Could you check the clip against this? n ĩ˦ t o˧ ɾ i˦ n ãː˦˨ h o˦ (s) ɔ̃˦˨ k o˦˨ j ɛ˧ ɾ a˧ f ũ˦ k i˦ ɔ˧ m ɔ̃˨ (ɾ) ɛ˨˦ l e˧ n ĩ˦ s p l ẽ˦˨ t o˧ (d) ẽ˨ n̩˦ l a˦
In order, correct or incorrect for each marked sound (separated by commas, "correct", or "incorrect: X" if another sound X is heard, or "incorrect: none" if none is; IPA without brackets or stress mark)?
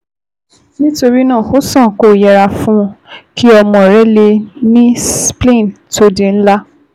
correct, correct, correct